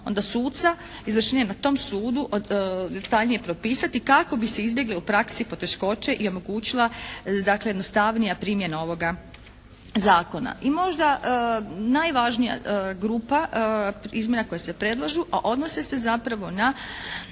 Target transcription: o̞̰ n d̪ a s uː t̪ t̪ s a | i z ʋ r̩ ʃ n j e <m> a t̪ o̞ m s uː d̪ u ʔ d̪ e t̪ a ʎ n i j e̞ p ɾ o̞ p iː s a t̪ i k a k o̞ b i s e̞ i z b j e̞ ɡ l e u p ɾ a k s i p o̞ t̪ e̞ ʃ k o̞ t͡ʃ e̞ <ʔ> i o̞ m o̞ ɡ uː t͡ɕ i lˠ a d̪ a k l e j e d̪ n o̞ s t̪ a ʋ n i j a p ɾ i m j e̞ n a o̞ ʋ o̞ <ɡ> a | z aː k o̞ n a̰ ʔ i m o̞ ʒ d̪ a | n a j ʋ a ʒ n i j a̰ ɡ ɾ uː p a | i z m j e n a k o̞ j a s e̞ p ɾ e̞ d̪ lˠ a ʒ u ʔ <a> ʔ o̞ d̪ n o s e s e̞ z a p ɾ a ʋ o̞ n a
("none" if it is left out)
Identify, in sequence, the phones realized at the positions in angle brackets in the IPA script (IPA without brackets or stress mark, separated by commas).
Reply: n, ʔ, ɡ, a